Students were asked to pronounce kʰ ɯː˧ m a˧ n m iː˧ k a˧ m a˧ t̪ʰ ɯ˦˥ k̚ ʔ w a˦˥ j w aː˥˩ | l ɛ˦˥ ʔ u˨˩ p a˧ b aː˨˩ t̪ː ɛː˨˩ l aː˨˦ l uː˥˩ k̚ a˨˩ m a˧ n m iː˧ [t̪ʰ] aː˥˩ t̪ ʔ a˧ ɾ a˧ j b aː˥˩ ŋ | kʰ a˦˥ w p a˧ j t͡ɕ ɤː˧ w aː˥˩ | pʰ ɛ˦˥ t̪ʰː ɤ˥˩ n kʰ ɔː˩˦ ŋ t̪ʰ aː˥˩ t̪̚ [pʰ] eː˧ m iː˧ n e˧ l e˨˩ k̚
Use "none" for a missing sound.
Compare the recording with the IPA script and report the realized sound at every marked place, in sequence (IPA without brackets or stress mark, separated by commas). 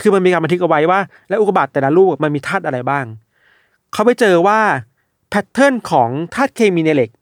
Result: t̪ʰ, kʰ